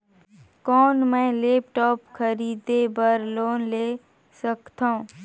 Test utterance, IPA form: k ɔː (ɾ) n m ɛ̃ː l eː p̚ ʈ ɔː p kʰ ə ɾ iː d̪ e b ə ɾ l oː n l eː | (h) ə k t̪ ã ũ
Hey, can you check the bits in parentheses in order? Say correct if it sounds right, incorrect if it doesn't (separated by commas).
incorrect, incorrect